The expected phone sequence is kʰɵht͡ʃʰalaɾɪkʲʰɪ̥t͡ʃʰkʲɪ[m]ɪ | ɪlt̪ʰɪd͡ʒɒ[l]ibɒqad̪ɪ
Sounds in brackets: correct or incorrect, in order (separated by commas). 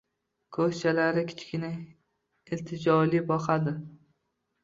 incorrect, correct